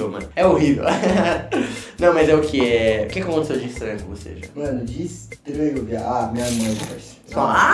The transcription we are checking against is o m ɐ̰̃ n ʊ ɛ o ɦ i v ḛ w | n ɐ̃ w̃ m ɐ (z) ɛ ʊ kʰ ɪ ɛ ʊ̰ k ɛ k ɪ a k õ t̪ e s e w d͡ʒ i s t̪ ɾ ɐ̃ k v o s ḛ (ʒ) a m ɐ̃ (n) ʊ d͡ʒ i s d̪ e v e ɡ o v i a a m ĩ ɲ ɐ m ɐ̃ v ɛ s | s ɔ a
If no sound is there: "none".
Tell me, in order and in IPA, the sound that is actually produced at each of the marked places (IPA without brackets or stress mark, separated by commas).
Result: z, ʒ, n